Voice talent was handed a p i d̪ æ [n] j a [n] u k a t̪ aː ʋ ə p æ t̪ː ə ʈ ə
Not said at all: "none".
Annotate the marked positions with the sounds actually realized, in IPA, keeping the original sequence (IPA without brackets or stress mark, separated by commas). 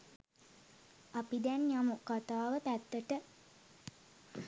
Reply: n, m